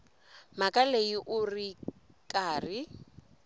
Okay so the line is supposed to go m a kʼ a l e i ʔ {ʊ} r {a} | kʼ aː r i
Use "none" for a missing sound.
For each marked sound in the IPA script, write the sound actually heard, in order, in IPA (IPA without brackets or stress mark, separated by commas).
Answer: ʊ, i